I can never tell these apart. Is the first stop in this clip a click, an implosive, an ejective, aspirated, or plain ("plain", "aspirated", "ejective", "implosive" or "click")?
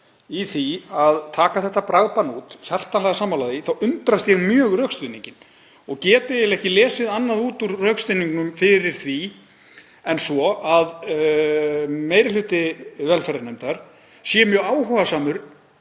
aspirated